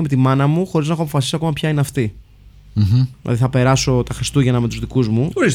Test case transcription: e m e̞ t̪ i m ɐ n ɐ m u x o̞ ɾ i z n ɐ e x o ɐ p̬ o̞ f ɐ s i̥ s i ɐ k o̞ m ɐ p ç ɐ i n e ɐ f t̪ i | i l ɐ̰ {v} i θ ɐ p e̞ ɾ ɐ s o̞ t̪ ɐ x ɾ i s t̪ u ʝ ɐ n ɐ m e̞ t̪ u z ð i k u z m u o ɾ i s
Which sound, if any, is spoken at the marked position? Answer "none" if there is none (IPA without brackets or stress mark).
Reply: ð